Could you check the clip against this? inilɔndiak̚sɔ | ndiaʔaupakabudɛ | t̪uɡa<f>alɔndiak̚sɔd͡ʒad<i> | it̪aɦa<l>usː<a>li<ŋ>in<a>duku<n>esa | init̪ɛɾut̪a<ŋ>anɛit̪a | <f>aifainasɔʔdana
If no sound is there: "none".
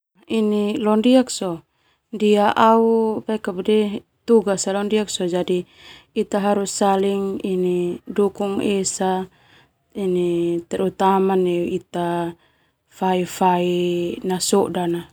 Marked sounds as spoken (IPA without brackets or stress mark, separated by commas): s, i, ɾ, a, ŋ, i, ŋ, m, f